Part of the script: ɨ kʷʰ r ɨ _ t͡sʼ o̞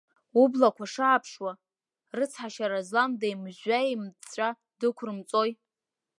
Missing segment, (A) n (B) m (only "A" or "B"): B